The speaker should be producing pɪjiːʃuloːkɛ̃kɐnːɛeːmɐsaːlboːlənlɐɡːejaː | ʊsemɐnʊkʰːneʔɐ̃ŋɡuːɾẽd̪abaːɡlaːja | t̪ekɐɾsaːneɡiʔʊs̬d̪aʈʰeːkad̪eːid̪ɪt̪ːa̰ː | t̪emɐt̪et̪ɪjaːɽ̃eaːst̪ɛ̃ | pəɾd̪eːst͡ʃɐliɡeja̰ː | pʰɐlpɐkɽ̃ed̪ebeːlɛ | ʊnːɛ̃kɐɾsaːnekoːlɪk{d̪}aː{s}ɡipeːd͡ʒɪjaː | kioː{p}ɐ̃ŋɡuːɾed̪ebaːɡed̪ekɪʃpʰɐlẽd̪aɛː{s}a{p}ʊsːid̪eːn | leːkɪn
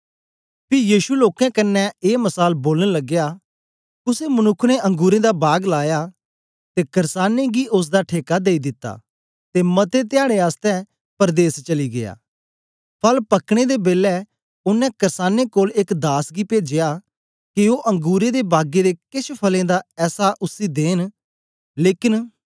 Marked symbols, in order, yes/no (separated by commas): yes, yes, no, yes, no